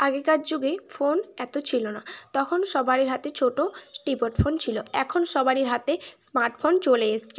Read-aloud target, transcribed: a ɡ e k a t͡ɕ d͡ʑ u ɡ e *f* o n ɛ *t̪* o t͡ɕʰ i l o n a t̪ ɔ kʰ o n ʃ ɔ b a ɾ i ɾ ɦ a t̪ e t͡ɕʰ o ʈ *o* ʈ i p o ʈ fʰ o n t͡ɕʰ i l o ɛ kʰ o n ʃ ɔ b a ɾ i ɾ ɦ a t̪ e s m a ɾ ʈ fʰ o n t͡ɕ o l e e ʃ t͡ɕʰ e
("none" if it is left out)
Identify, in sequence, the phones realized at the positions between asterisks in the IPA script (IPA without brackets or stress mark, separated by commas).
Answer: f, t̪, o